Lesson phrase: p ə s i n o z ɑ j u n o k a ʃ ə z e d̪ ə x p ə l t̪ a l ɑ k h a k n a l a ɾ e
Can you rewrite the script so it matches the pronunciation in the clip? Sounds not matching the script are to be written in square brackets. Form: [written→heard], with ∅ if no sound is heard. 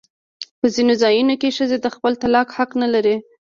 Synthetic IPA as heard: p ə [s→z] i n o z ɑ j u n o k [a→e] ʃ ə z e d̪ ə x p ə l t̪ a l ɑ k h a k n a l a ɾ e